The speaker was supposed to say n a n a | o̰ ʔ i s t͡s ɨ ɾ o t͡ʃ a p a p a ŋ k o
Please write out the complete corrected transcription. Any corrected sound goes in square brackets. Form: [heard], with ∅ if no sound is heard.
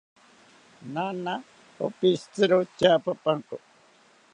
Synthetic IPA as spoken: n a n a | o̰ [p] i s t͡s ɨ ɾ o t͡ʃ a p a p a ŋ k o